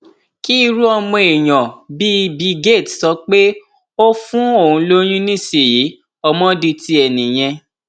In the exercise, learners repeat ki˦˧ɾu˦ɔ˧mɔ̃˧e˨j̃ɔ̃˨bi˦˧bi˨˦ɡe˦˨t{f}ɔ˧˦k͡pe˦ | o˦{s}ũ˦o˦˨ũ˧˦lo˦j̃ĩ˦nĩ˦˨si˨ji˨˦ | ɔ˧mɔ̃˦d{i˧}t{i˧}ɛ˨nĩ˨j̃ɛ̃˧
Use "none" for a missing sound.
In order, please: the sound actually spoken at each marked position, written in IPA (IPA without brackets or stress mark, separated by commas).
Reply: s, f, i˧, i˧